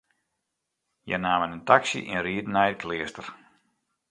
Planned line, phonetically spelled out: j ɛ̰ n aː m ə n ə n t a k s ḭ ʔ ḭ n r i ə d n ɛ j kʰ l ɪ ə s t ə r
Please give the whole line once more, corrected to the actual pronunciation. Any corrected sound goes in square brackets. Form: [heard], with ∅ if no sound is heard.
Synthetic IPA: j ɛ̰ n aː m ə n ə n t a k s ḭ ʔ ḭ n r i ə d n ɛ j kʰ l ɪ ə s t ə r